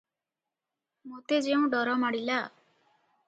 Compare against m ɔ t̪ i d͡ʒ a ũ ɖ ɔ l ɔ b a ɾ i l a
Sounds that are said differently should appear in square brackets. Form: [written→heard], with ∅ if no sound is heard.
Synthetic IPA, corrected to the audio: m [ɔ→o] t̪ [i→e] d͡ʒ [a→e] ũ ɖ ɔ [l→ɾ] ɔ [b→m] a [ɾ→ɽ] i l a